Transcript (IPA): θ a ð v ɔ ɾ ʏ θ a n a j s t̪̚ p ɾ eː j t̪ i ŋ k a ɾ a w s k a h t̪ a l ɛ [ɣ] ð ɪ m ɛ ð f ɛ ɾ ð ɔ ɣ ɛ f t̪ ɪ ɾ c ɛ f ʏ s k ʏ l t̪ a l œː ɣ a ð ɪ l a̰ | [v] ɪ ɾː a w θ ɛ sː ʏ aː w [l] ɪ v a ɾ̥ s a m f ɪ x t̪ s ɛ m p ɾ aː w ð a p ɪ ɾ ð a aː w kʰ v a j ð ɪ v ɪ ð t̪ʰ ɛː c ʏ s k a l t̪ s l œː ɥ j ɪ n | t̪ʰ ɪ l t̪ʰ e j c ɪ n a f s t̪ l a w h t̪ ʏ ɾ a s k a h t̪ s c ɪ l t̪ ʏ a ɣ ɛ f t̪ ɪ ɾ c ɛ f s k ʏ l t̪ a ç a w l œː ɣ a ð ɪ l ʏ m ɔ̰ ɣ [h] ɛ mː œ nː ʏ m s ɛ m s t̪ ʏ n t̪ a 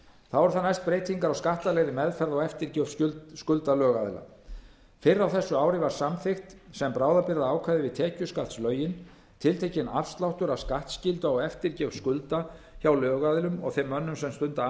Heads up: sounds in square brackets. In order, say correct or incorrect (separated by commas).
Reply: correct, incorrect, incorrect, incorrect